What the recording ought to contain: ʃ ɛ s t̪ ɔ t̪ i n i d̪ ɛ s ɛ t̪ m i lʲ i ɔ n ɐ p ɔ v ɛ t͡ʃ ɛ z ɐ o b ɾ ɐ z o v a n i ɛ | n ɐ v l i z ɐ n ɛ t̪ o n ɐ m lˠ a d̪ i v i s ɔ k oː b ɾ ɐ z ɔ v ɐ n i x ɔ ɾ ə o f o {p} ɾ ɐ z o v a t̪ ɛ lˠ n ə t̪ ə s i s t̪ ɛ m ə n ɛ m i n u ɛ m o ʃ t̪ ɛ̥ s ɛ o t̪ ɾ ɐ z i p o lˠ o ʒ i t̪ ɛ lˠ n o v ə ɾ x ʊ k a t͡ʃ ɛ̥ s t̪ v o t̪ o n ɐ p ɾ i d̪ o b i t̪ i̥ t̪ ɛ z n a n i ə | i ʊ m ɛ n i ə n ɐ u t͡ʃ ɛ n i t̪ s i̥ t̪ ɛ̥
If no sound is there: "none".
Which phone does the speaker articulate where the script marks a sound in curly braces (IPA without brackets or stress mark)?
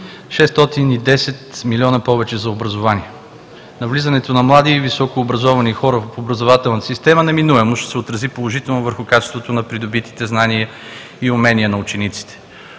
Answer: b